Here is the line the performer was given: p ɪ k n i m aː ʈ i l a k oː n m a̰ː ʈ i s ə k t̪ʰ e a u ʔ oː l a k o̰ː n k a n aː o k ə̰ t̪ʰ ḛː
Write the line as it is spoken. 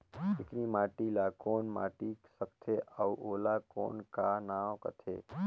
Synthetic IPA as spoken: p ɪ k n i m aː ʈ i l a k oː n m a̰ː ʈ i s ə k t̪ʰ e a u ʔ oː l a k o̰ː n k a n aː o k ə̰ t̪ʰ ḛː